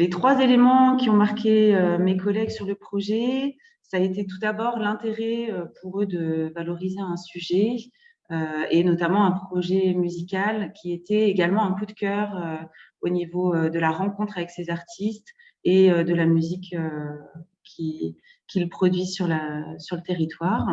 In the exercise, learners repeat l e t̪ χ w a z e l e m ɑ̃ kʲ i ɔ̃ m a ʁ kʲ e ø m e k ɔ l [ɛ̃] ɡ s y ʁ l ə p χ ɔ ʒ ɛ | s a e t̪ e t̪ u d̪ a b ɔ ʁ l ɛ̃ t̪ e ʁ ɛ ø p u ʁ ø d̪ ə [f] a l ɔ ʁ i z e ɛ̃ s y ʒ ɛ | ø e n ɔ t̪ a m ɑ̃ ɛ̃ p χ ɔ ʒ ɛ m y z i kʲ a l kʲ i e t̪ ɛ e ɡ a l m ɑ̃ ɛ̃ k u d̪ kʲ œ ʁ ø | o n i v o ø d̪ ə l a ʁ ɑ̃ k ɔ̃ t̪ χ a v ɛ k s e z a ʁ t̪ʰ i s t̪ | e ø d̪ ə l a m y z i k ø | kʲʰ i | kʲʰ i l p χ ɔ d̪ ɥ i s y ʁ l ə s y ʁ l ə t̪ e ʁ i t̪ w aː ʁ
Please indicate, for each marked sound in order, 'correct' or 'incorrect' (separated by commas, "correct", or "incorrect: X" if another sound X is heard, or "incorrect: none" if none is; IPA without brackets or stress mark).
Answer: incorrect: ɛ, incorrect: v